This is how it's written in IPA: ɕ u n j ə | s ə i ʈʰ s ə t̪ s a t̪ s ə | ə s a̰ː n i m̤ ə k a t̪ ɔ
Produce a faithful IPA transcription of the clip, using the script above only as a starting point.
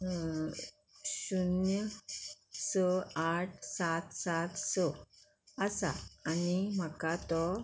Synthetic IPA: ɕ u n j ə | s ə a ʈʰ s a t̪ s a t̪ s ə | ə s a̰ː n i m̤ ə k a t̪ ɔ